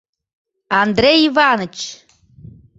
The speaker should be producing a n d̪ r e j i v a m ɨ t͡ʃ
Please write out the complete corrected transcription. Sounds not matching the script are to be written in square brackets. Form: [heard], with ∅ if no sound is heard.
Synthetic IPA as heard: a n d̪ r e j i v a [n] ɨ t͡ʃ